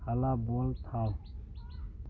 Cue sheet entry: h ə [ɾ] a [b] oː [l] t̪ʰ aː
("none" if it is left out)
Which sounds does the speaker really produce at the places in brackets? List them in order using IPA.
l, b, l

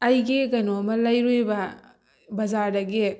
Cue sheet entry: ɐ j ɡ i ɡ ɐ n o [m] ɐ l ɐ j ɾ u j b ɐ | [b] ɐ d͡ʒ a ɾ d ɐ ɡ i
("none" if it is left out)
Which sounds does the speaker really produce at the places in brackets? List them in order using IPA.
m, b

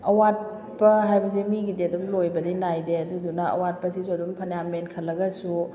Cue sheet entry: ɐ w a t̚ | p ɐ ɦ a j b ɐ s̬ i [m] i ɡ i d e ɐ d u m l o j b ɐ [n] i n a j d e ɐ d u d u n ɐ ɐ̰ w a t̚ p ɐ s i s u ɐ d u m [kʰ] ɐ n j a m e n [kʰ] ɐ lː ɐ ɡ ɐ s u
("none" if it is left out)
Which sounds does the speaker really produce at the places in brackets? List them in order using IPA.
m, d, pʰ, kʰ

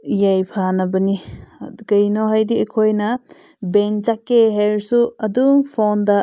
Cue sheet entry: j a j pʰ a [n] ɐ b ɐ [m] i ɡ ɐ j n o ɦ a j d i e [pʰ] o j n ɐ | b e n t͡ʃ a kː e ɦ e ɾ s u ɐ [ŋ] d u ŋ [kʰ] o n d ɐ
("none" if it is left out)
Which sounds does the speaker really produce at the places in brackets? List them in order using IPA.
n, n, kʰ, none, pʰ

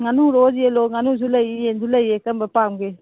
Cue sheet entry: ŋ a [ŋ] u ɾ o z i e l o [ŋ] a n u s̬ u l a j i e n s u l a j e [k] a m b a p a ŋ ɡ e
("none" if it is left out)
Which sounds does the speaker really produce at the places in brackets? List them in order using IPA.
n, ŋ, k

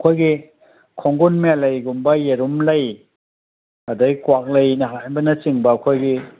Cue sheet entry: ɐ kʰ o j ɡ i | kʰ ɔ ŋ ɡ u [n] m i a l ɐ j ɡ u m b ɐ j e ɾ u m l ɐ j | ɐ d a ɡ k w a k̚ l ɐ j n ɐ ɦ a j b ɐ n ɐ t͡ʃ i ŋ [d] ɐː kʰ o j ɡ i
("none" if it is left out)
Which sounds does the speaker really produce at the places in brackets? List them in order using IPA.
n, b

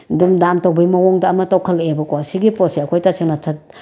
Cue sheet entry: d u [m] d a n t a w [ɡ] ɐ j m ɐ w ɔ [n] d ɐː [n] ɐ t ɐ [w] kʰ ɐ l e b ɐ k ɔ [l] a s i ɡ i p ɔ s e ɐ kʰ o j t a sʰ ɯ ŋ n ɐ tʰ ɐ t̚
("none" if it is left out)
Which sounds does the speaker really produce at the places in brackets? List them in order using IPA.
m, b, ŋ, m, w, none

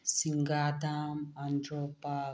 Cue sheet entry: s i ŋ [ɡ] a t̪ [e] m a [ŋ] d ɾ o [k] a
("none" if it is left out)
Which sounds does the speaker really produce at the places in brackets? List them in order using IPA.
ɡ, a, n, p

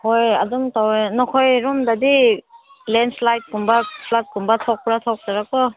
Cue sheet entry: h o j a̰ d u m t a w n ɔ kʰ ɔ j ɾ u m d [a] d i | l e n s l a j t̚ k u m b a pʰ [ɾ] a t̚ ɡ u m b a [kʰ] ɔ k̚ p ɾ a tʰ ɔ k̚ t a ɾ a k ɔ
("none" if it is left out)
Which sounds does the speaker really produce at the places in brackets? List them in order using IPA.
a, l, tʰ

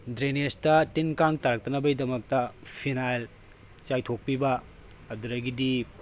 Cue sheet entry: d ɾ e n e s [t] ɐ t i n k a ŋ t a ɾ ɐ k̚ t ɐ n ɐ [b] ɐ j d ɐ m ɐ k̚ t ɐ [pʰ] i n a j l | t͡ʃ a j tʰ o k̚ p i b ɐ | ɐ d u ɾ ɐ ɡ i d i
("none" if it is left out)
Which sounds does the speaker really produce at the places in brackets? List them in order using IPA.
t, b, pʰ

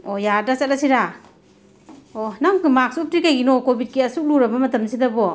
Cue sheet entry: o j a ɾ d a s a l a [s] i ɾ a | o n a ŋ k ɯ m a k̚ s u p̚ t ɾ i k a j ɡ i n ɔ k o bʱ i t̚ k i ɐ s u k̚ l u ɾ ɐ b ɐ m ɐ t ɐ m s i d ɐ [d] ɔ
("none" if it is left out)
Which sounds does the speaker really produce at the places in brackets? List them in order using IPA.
s, b

